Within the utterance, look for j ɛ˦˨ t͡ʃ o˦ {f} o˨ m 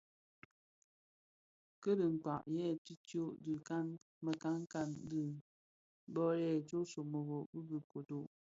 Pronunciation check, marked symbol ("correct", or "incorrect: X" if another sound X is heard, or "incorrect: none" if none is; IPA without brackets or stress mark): incorrect: s